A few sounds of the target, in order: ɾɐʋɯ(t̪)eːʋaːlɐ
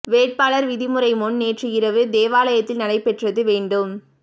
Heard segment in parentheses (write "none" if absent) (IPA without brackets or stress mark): d̪